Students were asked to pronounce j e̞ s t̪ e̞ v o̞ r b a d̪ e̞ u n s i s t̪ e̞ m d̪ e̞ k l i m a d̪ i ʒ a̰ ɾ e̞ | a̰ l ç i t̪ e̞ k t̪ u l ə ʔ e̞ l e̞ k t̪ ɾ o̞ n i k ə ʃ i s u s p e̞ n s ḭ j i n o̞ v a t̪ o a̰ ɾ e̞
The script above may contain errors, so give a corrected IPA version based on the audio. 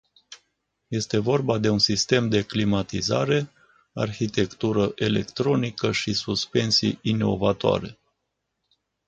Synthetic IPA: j e̞ s t̪ e̞ v o̞ r b a d̪ e̞ u n s i s t̪ e̞ m d̪ e̞ k l i m a t̪ i z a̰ ɾ e̞ | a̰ r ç i t̪ e̞ k t̪ u ɾ ə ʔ e̞ l e̞ k t̪ ɾ o̞ n i k ə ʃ i s u s p e̞ n s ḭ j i n o̞ v a t̪ o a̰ ɾ e̞